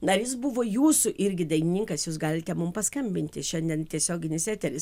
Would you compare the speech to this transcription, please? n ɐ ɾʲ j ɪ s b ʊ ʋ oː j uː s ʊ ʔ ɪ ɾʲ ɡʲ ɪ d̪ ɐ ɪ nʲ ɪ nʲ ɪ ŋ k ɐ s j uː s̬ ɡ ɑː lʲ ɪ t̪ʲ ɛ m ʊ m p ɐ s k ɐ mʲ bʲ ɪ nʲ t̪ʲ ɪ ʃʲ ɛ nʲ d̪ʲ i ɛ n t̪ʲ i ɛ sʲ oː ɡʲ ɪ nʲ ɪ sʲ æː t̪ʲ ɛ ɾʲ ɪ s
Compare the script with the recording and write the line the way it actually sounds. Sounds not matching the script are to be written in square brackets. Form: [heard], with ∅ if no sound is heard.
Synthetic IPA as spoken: n ɐ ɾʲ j ɪ s b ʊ ʋ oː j uː s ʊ ʔ ɪ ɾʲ ɡʲ ɪ d̪ ɐ ɪ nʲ ɪ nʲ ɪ ŋ k ɐ s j uː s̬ ɡ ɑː lʲ ɪ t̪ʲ ɛ m ʊ m p ɐ s k ɐ mʲ bʲ ɪ nʲ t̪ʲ ɪ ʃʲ ɛ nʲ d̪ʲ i ɛ n t̪ʲ i ɛ sʲ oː ɡʲ ɪ nʲ ɪ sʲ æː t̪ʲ ɛ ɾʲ ɪ s